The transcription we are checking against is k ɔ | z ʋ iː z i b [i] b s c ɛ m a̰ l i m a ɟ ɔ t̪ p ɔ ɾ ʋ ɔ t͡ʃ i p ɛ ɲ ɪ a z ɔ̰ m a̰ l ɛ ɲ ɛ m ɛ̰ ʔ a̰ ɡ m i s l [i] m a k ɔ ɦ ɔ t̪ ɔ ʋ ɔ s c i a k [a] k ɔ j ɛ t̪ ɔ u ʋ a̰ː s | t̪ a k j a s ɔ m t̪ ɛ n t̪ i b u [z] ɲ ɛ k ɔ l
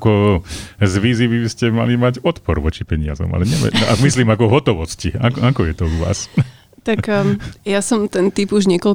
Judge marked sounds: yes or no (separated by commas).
yes, no, yes, no